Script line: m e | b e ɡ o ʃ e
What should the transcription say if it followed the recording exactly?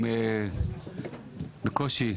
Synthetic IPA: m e | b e k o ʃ i